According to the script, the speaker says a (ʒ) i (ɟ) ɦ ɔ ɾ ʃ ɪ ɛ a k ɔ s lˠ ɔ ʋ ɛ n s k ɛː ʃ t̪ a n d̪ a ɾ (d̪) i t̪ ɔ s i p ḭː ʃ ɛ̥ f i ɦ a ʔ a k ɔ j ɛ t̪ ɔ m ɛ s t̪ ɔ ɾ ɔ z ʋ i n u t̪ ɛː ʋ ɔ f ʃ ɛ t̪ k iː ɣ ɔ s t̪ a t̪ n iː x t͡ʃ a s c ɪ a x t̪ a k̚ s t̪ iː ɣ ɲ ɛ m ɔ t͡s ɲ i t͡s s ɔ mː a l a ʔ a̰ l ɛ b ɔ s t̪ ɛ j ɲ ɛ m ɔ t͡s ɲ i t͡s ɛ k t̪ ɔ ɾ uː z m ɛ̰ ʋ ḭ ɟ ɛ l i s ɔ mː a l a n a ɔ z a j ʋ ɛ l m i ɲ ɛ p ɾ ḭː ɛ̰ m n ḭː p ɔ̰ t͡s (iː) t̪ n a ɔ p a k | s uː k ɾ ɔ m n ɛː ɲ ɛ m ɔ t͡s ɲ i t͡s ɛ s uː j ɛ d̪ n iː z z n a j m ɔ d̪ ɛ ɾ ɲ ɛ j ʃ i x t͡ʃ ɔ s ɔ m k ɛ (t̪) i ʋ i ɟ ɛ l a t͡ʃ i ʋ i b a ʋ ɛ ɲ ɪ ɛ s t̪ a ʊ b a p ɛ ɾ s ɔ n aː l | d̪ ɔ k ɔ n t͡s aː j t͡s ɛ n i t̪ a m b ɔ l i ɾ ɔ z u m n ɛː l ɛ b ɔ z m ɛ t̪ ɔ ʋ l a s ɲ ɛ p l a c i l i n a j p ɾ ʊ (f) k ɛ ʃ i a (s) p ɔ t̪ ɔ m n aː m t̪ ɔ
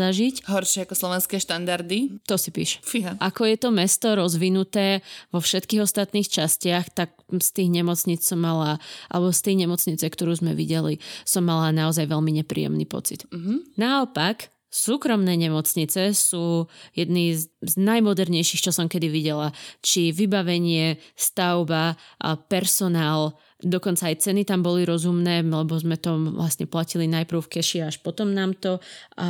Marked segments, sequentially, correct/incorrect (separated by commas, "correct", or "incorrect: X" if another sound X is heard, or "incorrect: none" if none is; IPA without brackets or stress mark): correct, incorrect: c, correct, incorrect: i, incorrect: d̪, correct, incorrect: ʃ